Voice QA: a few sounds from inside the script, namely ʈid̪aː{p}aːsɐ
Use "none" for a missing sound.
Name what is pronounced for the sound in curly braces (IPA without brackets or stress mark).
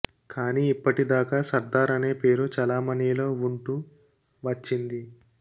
k